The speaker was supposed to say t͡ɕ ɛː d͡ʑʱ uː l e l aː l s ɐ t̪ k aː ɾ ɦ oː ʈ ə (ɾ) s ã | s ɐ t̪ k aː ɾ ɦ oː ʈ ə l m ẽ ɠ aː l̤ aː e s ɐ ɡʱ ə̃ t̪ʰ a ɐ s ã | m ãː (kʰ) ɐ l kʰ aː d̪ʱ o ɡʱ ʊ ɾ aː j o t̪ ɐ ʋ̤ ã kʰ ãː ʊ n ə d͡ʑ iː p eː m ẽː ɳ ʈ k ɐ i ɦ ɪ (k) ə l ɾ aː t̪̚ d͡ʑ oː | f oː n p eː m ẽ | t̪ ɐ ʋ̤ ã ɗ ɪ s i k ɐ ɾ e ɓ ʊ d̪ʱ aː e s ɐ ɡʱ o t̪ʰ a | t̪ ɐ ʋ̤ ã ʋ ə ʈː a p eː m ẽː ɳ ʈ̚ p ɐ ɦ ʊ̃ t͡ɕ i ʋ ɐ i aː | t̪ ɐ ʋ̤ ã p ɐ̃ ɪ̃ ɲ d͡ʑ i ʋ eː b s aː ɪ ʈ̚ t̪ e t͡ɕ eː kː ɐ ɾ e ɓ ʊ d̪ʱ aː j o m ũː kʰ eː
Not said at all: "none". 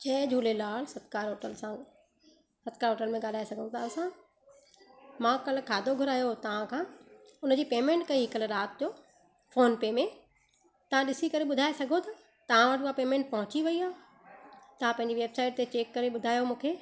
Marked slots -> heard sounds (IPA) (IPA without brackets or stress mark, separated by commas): l, k, k